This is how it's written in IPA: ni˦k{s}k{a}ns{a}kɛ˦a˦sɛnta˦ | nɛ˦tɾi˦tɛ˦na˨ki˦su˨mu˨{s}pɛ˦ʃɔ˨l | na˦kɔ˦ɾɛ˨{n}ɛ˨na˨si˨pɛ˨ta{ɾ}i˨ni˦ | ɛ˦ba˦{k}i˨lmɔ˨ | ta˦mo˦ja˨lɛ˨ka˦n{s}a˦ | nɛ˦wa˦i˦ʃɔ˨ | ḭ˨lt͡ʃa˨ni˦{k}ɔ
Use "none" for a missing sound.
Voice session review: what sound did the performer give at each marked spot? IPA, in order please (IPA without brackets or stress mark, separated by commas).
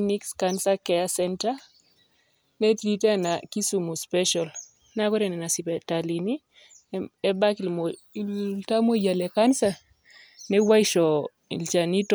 s, a, a, s, n, l, k, s, t